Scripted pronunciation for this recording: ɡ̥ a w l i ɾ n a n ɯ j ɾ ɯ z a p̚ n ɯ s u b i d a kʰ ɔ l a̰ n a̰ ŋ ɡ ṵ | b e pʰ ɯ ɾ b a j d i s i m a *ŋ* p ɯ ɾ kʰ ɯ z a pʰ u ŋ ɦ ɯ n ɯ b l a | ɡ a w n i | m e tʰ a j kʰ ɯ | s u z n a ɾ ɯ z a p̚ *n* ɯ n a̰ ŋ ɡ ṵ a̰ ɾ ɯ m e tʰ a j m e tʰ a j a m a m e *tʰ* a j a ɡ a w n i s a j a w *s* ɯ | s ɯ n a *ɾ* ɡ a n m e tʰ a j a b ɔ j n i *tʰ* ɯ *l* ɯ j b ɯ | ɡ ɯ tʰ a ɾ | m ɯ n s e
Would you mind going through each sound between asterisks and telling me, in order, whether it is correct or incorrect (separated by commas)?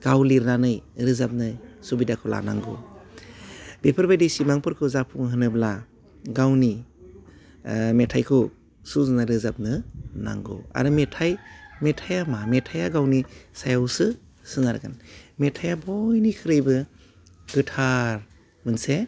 correct, correct, correct, correct, correct, incorrect, incorrect